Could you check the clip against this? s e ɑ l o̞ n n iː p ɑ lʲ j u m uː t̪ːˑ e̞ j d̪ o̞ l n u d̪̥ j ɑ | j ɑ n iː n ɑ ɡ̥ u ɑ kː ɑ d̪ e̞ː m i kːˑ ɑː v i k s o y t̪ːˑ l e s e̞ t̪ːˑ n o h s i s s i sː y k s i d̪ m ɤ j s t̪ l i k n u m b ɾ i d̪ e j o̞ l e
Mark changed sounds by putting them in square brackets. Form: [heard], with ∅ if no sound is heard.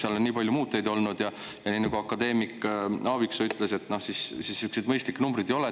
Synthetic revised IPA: s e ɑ l o̞ n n iː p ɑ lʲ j u m uː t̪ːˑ e̞ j d̪ o̞ l n u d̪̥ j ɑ | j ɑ n iː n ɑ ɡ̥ u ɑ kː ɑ d̪ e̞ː m i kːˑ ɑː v i k s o y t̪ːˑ l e s e̞ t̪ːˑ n o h s i s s i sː y k s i d̪ m ɤ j s t̪ l i k n u m b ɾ i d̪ e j o̞ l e